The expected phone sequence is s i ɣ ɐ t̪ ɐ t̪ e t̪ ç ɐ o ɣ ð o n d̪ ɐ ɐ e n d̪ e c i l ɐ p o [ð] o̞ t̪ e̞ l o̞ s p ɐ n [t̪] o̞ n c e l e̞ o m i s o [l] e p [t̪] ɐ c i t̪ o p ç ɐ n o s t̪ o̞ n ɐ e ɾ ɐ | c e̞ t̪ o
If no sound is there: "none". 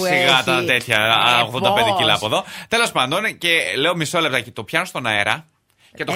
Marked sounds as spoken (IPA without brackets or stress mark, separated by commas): ð, d̪, l, t̪